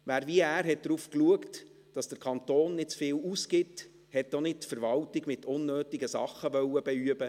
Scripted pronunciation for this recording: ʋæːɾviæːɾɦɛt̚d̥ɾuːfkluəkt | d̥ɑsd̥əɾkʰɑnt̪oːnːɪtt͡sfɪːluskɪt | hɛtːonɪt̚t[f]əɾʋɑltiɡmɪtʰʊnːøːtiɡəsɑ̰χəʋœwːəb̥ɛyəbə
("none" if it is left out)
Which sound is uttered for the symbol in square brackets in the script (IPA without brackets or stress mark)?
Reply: f